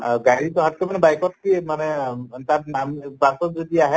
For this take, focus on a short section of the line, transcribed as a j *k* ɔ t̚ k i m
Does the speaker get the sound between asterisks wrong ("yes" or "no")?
no